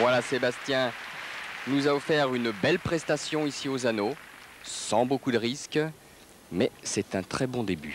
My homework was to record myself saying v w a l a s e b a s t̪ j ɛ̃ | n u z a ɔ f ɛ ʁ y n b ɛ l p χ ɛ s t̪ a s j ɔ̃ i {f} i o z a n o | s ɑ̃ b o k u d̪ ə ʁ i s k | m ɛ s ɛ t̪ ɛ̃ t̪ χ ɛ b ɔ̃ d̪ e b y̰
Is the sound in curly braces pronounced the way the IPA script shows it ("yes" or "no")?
no